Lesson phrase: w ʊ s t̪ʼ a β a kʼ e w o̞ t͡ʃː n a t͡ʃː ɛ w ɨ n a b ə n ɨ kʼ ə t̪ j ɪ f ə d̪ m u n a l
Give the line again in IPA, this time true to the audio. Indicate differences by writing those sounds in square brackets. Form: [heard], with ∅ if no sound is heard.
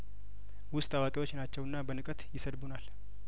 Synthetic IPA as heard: w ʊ s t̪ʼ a [w] a kʼ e w o̞ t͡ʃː n a t͡ʃː ɛ w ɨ [nː] a b ə n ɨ kʼ ə t̪ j ɪ [s] ə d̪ [b] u n a l